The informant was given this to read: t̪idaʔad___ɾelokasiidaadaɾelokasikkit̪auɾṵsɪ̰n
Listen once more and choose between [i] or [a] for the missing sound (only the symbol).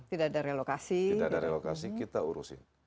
a